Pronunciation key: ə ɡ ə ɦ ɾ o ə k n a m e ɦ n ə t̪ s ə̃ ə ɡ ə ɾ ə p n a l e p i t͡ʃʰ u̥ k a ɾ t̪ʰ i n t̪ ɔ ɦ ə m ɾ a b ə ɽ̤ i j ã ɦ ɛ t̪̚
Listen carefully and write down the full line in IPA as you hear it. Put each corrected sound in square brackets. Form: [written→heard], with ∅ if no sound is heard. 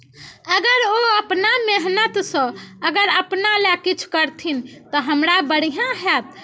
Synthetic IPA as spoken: ə ɡ ə [ɦ→∅] ɾ o ə [k→p] n a m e ɦ n ə t̪ s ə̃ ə ɡ ə ɾ ə p n a l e [p→k] i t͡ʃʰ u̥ k [a→ə] ɾ t̪ʰ i n t̪ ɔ ɦ ə m ɾ a b ə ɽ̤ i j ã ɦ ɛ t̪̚